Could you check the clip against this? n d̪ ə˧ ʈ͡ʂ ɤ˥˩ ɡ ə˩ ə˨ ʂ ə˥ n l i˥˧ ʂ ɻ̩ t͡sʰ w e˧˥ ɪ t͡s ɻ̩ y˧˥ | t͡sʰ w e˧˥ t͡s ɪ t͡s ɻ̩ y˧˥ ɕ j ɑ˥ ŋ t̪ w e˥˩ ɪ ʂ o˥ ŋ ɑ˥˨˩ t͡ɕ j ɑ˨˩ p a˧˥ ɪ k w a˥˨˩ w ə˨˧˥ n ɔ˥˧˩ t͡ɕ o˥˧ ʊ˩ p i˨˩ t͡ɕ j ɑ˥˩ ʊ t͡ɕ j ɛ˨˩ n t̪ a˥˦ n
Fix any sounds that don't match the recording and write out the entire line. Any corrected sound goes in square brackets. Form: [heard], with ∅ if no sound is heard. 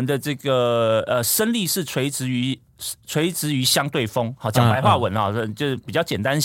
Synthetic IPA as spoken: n d̪ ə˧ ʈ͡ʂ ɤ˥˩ ɡ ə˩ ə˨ ʂ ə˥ n l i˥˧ ʂ ɻ̩ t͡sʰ w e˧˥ ɪ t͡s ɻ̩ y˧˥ | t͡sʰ w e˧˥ [∅] ɪ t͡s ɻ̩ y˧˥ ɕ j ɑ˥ ŋ t̪ w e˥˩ ɪ [f] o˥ ŋ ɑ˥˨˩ t͡ɕ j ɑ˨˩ p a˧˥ ɪ [x] w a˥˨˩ w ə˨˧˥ n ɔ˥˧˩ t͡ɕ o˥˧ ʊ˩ p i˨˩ t͡ɕ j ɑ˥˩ ʊ t͡ɕ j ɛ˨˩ n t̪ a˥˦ n